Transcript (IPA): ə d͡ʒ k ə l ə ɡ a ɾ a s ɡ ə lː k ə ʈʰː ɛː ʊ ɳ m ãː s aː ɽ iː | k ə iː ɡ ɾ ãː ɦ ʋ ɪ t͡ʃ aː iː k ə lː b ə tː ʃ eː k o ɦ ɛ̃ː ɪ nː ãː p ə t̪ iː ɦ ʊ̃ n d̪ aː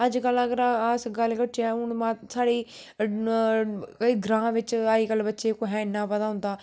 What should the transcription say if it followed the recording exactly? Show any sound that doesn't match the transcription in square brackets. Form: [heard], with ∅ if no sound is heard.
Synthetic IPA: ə d͡ʒ k ə l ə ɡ [ə] ɾ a s ɡ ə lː k ə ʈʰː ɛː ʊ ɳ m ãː s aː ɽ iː | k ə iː ɡ ɾ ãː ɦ ʋ ɪ t͡ʃ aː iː k ə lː b ə tː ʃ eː k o ɦ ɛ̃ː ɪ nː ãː p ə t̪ [aː] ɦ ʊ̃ n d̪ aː